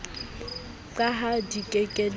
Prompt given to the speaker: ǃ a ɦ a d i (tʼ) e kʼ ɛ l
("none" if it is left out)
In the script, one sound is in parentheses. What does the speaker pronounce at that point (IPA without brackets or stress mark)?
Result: kʼ